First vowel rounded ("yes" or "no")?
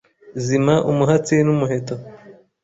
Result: no